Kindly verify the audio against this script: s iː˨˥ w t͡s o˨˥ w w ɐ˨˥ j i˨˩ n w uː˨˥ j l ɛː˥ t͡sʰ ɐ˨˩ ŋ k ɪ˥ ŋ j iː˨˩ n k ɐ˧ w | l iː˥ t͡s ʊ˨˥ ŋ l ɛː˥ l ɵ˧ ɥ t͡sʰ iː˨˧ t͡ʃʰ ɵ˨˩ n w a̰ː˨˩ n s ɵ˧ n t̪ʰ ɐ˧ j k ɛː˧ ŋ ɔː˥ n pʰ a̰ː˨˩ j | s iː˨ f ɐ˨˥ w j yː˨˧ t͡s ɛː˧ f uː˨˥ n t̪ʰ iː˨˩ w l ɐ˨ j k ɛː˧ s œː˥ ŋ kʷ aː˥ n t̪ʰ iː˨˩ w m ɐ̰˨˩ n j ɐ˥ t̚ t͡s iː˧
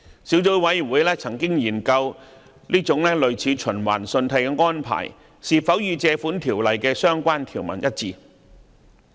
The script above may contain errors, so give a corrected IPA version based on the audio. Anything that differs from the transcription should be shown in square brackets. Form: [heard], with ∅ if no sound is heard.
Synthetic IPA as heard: s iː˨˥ w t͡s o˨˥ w w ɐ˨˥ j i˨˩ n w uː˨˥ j l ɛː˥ t͡sʰ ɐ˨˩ ŋ k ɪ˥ ŋ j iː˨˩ n k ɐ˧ w | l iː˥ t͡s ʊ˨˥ ŋ l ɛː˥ l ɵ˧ ɥ t͡sʰ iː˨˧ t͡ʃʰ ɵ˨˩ n w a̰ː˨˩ n s ɵ˧ n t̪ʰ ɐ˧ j k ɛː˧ ŋ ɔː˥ n pʰ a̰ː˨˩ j | s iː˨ f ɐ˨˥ w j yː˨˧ t͡s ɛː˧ f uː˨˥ n t̪ʰ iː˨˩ w l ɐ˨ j k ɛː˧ s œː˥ ŋ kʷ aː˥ n t̪ʰ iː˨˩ w m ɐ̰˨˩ n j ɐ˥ t̚ t͡s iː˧